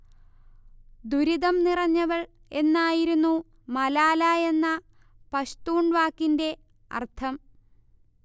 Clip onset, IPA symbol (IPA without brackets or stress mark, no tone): d̪